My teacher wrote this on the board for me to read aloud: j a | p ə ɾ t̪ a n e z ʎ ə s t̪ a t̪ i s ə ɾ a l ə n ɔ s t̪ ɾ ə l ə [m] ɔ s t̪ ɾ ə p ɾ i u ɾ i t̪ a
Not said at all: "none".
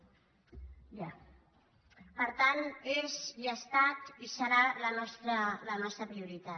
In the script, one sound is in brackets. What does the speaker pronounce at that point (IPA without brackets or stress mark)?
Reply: n